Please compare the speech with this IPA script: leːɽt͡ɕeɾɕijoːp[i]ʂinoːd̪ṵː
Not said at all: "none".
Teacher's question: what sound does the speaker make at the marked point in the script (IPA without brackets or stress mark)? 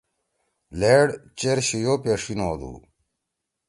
e